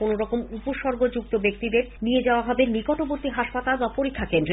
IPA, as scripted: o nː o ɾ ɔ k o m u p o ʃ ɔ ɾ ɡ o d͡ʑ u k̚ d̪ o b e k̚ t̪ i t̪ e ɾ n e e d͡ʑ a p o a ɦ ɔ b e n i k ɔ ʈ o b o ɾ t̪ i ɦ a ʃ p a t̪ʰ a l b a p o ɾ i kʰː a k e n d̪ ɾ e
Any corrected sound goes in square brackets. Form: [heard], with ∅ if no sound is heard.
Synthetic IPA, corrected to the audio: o [n] o ɾ ɔ k o m u p o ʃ ɔ ɾ ɡ o d͡ʑ u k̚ [t̪] o b e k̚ t̪ i [d̪] e ɾ n [i] e d͡ʑ a [∅] o a ɦ ɔ b e n i k ɔ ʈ o b o ɾ t̪ i ɦ a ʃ p a [t̪] a l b a p o ɾ i kʰː a k e n d̪ ɾ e

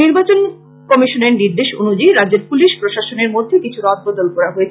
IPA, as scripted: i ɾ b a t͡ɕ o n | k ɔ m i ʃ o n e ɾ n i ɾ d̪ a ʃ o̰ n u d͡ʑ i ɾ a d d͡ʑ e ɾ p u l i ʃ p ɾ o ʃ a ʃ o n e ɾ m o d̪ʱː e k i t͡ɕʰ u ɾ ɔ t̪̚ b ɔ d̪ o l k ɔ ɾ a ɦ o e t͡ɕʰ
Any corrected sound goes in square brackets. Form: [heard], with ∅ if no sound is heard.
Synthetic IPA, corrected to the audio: i ɾ b a t͡ɕ o n | k ɔ m i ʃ o n e ɾ n i ɾ d̪ [e] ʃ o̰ n u d͡ʑ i ɾ a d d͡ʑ e ɾ p u l i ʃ p ɾ o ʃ a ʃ o n e ɾ m o d̪ʱː e k i t͡ɕʰ u ɾ ɔ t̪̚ b ɔ d̪ o l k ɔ ɾ a ɦ o e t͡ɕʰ

